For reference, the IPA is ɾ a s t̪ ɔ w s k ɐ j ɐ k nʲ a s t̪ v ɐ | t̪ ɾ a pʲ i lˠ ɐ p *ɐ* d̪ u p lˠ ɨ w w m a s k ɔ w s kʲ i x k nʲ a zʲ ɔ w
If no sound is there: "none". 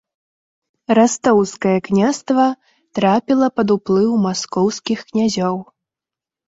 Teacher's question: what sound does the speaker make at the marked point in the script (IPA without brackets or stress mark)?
ɐ